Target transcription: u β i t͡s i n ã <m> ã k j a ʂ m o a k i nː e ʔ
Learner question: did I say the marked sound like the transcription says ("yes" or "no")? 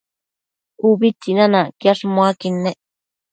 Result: no